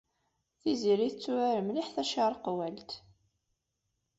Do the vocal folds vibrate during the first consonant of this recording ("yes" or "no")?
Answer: no